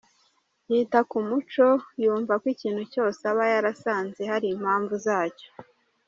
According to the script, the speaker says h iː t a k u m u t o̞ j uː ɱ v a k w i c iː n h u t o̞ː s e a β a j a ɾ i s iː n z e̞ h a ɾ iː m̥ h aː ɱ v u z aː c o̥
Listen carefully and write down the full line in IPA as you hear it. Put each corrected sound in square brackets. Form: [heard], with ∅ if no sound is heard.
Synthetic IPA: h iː t a k u m u [t͡ʃ] o̞ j uː ɱ v a k w i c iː n h u [c] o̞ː s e a β a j a ɾ [a] s [aː] n z e̞ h a ɾ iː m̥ h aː ɱ v u z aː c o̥